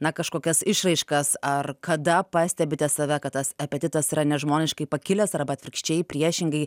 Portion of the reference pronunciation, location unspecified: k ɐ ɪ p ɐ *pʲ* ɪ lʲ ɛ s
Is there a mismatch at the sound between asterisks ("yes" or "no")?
yes